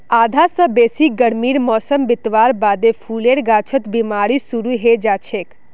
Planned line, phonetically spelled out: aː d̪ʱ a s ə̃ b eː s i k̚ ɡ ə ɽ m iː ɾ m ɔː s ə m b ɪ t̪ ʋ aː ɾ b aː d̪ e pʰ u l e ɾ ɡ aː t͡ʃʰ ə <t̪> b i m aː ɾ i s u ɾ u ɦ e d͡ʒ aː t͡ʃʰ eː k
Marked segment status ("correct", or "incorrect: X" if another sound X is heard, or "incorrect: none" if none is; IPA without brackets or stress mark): correct